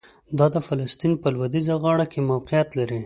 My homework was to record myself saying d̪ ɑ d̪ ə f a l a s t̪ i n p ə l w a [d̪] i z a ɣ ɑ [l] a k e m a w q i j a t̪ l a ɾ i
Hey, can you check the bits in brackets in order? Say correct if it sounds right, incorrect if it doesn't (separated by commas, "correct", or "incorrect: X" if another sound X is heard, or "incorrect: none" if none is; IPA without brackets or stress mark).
correct, incorrect: ɽ